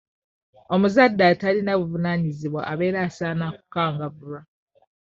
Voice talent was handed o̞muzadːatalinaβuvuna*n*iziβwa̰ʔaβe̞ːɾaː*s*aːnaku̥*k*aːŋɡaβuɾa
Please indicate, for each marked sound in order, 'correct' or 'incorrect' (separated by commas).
incorrect, correct, correct